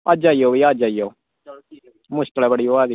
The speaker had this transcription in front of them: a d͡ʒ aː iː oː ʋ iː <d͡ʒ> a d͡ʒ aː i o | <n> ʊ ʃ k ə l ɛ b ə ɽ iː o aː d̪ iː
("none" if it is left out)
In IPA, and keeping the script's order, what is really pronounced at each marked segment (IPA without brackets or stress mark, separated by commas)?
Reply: none, m